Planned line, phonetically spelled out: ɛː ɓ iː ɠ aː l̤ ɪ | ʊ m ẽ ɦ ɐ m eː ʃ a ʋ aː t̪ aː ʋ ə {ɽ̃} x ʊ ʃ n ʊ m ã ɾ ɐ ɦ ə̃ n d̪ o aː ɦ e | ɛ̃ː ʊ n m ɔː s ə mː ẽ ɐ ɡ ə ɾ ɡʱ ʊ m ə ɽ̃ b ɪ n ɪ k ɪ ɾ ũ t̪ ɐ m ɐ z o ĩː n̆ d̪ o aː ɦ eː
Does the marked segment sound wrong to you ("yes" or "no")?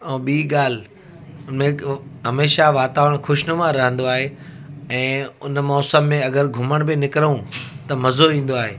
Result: no